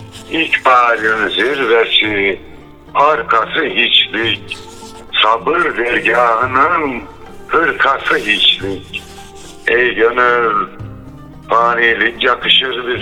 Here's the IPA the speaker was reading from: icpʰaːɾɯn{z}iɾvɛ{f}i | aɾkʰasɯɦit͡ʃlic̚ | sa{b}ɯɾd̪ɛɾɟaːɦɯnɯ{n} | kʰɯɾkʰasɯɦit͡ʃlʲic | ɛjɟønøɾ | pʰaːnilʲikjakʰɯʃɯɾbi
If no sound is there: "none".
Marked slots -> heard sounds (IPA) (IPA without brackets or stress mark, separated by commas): z, s, b, n